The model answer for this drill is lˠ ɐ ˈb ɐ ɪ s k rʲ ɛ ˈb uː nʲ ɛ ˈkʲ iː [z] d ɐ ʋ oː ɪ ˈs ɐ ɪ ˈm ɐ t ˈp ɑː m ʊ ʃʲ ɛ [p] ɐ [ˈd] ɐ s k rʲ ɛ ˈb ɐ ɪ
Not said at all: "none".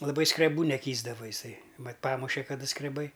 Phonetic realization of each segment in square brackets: z, k, d

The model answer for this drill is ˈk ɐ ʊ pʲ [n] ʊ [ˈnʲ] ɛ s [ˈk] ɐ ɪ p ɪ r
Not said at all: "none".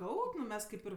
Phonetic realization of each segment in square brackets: n, mʲ, k

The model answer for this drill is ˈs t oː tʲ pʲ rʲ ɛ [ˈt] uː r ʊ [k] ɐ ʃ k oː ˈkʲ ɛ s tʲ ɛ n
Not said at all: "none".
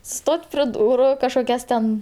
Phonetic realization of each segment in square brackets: d, k

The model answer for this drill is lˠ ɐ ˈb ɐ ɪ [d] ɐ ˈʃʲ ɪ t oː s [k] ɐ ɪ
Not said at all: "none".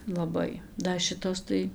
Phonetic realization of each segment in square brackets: d, t

